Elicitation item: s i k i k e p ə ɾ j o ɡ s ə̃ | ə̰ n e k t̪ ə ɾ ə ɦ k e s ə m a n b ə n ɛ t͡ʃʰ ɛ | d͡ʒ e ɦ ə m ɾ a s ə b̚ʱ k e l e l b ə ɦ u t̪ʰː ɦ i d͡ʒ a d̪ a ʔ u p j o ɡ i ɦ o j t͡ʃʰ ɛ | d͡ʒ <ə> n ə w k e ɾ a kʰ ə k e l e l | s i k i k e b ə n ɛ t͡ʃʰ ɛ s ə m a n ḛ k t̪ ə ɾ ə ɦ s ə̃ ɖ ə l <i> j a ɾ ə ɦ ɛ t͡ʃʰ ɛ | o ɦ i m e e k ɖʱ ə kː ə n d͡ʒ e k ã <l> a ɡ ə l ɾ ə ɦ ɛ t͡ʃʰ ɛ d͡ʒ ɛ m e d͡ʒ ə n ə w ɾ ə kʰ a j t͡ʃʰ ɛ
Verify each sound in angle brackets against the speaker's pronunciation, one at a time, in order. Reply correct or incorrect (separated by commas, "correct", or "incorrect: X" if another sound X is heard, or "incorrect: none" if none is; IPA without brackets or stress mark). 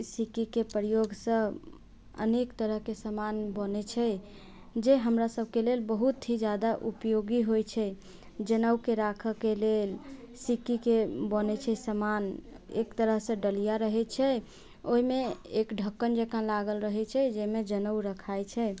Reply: correct, correct, correct